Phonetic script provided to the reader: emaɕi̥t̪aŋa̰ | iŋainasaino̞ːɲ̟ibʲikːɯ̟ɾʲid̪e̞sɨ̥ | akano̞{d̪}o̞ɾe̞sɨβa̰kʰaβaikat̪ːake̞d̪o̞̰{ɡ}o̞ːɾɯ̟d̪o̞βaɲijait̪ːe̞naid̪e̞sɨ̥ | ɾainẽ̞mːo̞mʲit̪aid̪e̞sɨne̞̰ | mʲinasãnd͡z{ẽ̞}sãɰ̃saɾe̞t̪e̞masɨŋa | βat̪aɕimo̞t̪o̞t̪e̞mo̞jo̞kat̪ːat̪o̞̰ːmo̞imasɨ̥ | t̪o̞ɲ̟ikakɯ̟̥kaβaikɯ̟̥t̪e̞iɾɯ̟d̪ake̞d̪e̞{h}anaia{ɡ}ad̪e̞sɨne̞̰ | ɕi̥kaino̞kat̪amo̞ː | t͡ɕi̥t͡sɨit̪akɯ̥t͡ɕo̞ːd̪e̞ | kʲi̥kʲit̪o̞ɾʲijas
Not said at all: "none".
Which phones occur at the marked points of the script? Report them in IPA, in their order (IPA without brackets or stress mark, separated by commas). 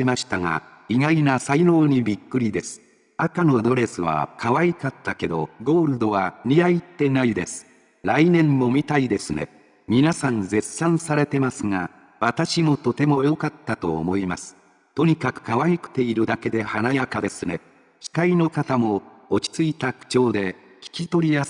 d̪, ɡ, e̞, h, k